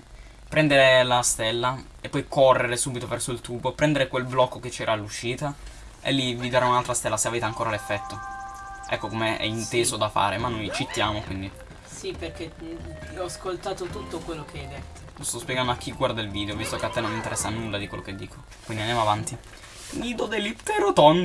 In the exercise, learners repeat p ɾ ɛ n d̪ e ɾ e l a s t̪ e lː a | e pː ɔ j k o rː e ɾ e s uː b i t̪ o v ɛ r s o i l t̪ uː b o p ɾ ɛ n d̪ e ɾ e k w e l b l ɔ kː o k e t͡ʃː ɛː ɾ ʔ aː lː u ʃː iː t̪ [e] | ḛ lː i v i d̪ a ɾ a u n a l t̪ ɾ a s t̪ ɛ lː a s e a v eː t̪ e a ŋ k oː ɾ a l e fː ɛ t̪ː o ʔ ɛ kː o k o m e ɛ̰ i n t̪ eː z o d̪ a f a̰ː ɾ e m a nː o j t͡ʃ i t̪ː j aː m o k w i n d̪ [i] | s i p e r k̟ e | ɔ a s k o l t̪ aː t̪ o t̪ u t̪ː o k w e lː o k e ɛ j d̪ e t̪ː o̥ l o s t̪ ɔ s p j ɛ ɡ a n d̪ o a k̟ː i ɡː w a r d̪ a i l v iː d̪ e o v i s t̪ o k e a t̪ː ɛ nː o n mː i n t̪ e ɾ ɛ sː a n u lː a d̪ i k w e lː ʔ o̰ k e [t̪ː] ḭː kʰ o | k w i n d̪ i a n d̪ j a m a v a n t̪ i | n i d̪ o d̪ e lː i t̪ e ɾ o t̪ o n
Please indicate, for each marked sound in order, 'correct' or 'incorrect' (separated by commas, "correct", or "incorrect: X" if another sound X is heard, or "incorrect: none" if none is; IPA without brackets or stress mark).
incorrect: a, correct, incorrect: d̪ː